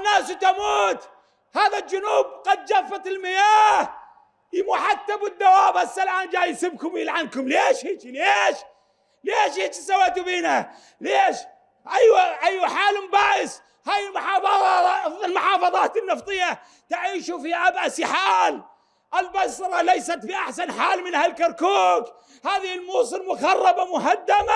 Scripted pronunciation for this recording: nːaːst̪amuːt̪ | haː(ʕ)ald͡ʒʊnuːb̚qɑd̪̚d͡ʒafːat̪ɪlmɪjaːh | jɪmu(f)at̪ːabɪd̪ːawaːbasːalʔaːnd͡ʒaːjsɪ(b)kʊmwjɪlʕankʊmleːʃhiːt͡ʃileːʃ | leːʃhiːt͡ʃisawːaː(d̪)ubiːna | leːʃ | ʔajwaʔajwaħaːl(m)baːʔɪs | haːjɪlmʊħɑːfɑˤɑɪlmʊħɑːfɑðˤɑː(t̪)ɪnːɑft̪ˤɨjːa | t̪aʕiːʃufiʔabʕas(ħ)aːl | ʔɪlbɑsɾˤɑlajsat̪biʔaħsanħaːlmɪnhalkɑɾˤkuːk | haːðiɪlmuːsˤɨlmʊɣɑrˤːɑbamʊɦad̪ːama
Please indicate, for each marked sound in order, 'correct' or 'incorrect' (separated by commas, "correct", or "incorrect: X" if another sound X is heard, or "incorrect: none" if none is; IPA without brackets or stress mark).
incorrect: ð, incorrect: ħ, correct, incorrect: t̪, correct, correct, correct